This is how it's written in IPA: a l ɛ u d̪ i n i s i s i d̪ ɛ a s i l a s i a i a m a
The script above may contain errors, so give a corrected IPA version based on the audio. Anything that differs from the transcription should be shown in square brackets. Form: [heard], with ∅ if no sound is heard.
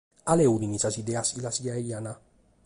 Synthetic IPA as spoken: a l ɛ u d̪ i n i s [a] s i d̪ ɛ a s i l a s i a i a [n] a